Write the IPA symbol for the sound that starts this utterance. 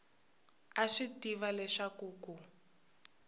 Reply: a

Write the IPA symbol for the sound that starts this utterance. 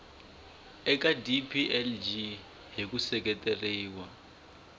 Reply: ɛ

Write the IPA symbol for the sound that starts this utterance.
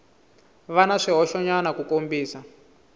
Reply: β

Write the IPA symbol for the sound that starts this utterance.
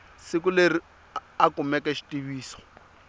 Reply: s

